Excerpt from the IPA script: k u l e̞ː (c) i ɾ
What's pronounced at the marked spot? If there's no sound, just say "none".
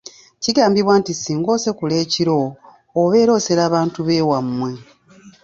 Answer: c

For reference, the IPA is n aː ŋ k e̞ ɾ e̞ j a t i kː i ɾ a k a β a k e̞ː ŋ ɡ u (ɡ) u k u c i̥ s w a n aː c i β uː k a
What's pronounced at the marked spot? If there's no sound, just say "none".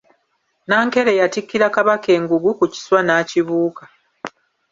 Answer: ɡ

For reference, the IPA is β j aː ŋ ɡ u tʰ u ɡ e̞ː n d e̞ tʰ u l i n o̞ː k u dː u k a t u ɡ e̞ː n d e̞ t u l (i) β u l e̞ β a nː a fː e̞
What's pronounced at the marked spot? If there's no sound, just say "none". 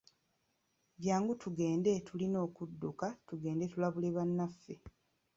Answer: a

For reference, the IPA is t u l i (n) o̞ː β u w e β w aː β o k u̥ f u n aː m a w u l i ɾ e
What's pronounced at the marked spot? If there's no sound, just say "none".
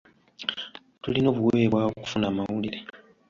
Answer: n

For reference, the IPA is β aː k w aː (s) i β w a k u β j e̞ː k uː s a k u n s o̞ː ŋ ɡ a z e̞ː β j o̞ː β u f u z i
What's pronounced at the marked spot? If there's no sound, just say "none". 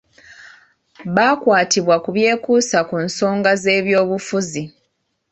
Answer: t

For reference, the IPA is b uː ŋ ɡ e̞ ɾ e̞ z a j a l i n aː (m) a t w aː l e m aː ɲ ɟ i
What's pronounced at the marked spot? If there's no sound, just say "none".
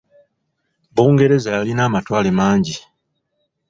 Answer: m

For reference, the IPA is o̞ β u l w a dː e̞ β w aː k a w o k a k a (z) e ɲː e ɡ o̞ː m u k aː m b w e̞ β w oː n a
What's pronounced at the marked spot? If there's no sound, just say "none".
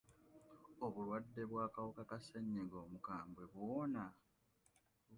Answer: s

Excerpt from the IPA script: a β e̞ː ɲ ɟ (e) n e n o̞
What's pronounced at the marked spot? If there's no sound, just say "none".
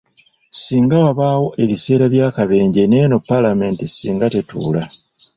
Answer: e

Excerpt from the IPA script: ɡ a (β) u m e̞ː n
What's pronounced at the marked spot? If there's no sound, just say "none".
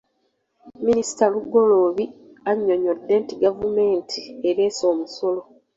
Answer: v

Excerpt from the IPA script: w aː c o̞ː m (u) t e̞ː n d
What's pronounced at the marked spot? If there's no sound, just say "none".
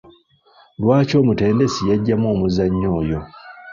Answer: u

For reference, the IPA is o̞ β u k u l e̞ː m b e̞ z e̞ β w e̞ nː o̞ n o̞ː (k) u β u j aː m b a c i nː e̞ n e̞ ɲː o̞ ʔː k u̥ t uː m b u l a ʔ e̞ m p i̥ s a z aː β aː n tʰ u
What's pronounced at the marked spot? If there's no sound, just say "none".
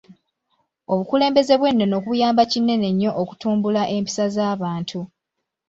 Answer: k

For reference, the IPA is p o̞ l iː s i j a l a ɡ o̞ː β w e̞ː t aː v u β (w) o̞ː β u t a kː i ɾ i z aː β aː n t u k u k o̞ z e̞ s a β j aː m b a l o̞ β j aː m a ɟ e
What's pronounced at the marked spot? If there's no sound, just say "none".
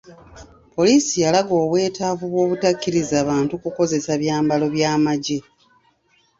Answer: w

